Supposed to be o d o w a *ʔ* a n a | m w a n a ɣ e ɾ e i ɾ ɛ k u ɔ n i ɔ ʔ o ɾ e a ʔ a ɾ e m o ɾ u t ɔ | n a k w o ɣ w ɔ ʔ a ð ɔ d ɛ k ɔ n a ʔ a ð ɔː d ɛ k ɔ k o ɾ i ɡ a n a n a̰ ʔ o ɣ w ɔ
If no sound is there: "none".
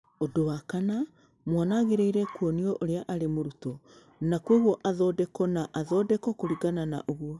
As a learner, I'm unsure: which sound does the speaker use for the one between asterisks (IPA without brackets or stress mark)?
k